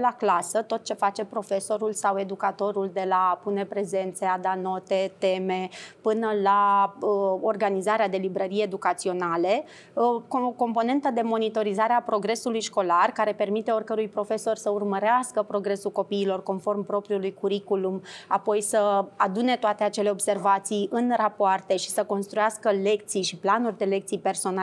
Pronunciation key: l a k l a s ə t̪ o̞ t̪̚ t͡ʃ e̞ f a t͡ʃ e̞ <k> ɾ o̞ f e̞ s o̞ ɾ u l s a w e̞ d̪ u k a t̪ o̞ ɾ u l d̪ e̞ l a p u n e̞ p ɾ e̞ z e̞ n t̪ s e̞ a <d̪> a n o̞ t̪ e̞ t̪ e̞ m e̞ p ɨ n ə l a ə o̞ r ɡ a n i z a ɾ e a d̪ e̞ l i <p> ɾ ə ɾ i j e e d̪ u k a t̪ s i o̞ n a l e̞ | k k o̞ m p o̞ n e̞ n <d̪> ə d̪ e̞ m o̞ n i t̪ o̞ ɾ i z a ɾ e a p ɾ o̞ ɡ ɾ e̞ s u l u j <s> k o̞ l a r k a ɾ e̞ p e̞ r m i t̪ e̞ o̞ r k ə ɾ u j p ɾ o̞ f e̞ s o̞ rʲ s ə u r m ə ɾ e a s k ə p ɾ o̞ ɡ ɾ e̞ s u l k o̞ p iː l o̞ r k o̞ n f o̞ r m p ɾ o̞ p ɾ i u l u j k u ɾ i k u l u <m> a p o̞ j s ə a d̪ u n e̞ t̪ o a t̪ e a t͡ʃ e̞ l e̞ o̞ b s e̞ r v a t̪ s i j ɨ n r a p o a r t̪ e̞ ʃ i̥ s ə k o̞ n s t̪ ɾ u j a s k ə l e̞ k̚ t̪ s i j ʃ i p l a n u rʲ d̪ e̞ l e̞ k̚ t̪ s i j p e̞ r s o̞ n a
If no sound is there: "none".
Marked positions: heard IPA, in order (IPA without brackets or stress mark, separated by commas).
p, d̪, b, t̪, ʃ, m